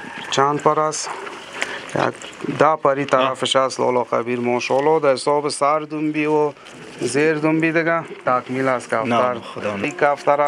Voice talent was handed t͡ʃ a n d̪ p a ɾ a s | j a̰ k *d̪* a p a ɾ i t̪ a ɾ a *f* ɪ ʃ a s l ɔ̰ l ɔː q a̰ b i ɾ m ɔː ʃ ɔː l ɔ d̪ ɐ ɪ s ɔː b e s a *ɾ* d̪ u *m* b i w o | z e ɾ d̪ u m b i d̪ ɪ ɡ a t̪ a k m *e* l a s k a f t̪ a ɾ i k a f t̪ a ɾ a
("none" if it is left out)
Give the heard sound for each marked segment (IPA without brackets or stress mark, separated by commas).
d̪, f, ɾ, m, i